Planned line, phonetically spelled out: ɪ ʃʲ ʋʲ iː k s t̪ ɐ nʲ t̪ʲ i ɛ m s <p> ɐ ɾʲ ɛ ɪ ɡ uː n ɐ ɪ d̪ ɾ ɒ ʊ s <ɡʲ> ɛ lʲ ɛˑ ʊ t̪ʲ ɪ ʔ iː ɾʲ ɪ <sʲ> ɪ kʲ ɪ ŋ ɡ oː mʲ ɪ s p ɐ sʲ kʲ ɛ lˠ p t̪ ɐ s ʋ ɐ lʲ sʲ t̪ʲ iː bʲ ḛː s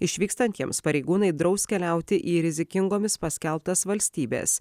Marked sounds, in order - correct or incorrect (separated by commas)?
correct, incorrect, incorrect